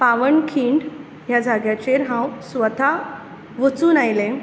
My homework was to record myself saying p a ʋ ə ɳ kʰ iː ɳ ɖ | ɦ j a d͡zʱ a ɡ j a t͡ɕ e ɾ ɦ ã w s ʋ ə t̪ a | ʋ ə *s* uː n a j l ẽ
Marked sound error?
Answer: yes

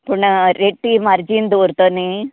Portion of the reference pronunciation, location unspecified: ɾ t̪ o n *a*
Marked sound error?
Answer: yes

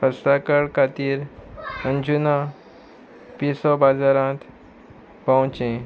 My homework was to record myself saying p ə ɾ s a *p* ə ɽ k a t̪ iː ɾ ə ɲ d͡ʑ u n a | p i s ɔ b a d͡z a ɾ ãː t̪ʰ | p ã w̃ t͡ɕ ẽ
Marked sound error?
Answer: yes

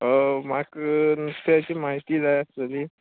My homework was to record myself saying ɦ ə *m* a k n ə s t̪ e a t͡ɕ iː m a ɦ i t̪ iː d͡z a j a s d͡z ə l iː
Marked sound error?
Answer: no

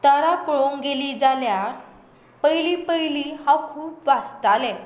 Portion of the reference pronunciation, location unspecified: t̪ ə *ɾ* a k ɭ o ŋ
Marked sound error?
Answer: no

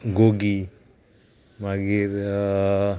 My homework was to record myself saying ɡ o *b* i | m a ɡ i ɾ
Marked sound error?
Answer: yes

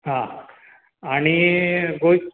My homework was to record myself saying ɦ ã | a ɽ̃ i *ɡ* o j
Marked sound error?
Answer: no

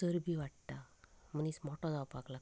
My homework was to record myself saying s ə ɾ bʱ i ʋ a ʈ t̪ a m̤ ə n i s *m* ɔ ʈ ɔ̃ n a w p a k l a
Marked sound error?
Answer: no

